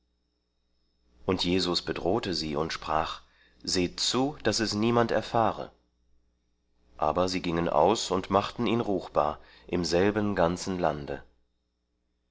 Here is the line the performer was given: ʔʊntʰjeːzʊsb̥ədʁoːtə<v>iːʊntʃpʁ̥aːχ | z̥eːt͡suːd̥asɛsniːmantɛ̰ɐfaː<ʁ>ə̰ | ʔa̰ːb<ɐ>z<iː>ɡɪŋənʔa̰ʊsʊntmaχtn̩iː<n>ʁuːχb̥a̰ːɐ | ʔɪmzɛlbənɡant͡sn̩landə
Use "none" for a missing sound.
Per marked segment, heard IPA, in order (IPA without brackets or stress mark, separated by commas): z, ʁ, ɐ, iː, n